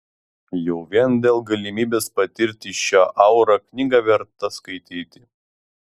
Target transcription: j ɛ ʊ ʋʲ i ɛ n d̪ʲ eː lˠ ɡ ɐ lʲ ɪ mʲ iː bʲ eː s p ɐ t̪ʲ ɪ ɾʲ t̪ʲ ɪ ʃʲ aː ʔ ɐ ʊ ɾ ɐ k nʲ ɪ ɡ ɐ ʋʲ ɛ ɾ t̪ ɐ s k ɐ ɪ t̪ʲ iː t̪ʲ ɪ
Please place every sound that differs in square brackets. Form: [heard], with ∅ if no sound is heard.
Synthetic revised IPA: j ɛ ʊ ʋʲ i ɛ n d̪ʲ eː lˠ ɡ ɐ lʲ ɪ mʲ iː bʲ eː s p ɐ t̪ʲ ɪ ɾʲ t̪ʲ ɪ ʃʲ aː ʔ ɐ ʊ ɾ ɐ k nʲ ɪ ɡ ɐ ʋʲ ɛ ɾ t̪ ɐ s k ɐ ɪ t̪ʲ iː t̪ʲ ɪ

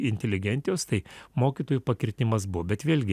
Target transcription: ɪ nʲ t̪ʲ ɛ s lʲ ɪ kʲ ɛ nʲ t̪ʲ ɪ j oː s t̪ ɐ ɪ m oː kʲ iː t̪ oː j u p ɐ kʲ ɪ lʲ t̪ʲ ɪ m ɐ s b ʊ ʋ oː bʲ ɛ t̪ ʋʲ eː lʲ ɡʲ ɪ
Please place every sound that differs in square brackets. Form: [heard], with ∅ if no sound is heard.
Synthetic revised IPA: ɪ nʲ t̪ʲ ɛ [∅] lʲ ɪ [ɡʲ] ɛ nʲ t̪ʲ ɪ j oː s t̪ ɐ ɪ m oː kʲ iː t̪ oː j u p ɐ kʲ ɪ [ɾʲ] t̪ʲ ɪ m ɐ s b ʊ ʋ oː bʲ ɛ t̪ ʋʲ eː lʲ ɡʲ ɪ

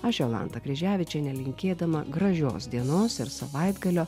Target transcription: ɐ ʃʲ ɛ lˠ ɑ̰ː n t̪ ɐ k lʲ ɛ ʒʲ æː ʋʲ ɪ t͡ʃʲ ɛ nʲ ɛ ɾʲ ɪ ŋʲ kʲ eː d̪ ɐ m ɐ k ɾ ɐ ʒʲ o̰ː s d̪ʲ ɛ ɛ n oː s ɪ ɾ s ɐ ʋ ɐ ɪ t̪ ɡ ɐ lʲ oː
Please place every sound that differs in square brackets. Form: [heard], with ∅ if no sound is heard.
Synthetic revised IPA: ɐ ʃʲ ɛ lˠ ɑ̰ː n t̪ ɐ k [ɾʲ] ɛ ʒʲ æː ʋʲ ɪ t͡ʃʲ ɛ nʲ ɛ [lʲ] ɪ ŋʲ kʲ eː d̪ ɐ m ɐ [ɡ] ɾ ɐ ʒʲ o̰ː s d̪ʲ [i] ɛ n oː s ɪ ɾ s ɐ ʋ ɐ ɪ [d̪] ɡ ɐ lʲ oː

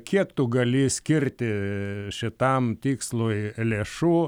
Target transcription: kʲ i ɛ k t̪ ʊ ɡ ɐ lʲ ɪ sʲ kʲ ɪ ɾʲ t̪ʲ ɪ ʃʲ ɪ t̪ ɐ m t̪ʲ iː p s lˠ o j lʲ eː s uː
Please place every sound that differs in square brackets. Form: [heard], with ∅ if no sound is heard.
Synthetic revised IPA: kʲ i ɛ k t̪ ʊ ɡ ɐ lʲ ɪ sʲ kʲ ɪ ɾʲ t̪ʲ ɪ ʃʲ ɪ t̪ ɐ m t̪ʲ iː [k] s lˠ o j lʲ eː [ʃ] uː

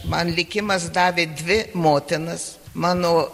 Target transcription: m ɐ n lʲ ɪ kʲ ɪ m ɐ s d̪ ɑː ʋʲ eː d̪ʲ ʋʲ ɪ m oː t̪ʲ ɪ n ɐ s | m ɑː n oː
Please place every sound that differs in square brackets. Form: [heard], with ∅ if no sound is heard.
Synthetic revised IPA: m ɐ n lʲ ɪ kʲ ɪ m ɐ s d̪ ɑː ʋʲ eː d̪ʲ ʋʲ ɪ m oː t̪ʲ ɪ n ɐ s | m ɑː n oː

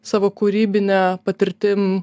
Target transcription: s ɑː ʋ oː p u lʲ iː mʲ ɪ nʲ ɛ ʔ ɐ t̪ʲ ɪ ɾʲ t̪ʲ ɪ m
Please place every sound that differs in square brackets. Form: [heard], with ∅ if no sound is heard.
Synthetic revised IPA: s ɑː ʋ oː [k] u [ɾʲ] iː [bʲ] ɪ nʲ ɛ [p] ɐ t̪ʲ ɪ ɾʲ t̪ʲ ɪ m

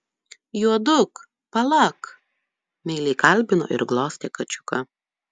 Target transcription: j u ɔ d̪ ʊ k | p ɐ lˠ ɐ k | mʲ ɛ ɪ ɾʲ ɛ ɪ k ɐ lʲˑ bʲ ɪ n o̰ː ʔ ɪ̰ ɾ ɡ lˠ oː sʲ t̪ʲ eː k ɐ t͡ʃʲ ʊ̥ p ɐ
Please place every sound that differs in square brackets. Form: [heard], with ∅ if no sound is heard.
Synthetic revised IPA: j u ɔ d̪ ʊ k | p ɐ lˠ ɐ k | mʲ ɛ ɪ [lʲ] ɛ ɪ k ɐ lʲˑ bʲ ɪ n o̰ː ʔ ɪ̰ ɾ ɡ lˠ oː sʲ t̪ʲ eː k ɐ t͡ʃʲ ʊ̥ [k] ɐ

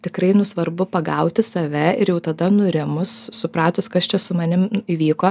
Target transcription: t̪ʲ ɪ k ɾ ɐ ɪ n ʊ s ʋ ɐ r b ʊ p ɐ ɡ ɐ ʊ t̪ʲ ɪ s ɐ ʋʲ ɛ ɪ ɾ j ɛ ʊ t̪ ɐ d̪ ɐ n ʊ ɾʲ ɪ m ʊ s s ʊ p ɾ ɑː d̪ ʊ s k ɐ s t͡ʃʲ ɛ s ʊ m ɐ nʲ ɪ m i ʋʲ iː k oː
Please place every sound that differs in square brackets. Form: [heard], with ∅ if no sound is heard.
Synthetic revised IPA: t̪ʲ ɪ k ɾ ɐ ɪ n ʊ s ʋ ɐ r b ʊ p ɐ ɡ ɐ ʊ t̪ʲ ɪ s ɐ ʋʲ ɛ ɪ ɾ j ɛ ʊ t̪ ɐ d̪ ɐ n ʊ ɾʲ ɪ m ʊ s s ʊ p ɾ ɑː [t̪] ʊ s k ɐ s t͡ʃʲ ɛ s ʊ m ɐ nʲ ɪ m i ʋʲ iː k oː

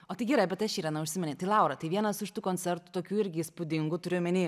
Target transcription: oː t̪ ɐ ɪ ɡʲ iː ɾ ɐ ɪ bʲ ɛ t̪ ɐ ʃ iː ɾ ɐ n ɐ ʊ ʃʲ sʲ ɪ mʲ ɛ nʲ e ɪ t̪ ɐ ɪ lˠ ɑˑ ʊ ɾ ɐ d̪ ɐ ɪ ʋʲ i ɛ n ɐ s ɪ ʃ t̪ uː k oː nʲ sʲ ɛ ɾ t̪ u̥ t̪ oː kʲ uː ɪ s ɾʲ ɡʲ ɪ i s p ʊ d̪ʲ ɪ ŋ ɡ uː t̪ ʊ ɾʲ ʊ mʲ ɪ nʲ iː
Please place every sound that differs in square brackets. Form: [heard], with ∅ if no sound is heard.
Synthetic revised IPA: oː t̪ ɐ ɪ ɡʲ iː ɾ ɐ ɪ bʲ ɛ t̪ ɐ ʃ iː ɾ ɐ n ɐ ʊ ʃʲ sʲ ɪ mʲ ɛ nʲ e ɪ t̪ ɐ ɪ lˠ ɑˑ ʊ ɾ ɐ [t̪] ɐ ɪ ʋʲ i ɛ n ɐ s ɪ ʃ t̪ uː k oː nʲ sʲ ɛ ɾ t̪ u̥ t̪ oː kʲ uː ɪ [∅] ɾʲ ɡʲ ɪ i s p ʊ d̪ʲ ɪ ŋ ɡ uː t̪ ʊ ɾʲ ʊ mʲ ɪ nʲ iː

